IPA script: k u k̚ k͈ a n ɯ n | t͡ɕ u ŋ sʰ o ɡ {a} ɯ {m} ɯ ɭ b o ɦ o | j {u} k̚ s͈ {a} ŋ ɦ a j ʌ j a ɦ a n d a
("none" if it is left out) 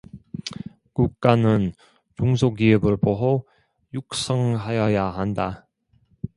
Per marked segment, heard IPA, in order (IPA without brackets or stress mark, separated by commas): i, b, u, ʌ